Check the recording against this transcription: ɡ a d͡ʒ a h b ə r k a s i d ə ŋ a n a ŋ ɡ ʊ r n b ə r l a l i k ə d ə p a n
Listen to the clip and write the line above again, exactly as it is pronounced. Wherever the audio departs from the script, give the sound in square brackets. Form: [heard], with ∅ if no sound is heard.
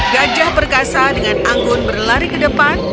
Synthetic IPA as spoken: ɡ a d͡ʒ a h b ə r k a s [a] d ə ŋ a n a ŋ ɡ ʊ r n b ə r l a [ɾ] i k ə d ə p a n